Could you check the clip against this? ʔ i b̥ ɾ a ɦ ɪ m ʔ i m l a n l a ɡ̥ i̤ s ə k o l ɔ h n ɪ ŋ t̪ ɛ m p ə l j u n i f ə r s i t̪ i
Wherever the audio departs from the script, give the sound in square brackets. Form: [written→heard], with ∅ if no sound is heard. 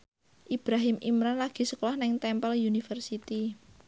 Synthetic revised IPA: ʔ i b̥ ɾ a ɦ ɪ m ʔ i m [l→ɾ] a n l a ɡ̥ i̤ s ə k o l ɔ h n ɪ ŋ t̪ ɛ m p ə l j u n i f ə r s i t̪ i